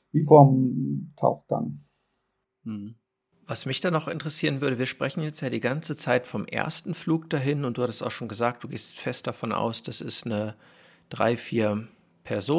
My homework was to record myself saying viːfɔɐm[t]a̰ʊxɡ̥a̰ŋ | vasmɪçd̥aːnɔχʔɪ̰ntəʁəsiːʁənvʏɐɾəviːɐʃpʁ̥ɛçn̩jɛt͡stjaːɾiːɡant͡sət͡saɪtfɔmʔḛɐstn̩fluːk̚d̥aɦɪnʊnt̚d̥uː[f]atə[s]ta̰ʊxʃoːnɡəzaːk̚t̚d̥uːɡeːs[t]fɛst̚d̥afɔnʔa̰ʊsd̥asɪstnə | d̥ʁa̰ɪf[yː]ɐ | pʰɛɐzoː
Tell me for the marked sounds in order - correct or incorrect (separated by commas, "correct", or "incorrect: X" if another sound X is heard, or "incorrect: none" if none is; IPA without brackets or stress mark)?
incorrect: tʰ, incorrect: h, correct, correct, incorrect: iː